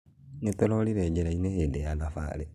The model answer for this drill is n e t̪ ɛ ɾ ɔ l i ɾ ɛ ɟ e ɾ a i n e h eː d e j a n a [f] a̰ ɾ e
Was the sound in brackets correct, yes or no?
yes